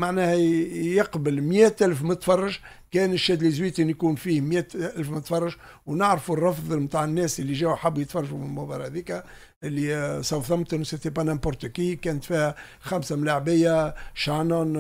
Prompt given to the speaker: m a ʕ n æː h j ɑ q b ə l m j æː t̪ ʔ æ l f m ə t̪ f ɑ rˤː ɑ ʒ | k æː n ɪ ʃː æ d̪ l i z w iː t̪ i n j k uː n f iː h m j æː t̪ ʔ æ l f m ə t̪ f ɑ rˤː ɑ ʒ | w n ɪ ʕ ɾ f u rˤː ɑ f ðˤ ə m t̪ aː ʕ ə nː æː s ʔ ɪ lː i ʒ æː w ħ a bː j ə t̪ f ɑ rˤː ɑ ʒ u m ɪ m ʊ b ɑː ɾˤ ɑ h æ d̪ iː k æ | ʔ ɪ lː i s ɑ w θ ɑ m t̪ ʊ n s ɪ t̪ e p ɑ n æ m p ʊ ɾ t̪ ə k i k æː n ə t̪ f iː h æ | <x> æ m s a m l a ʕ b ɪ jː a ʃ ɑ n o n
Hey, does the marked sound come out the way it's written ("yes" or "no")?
yes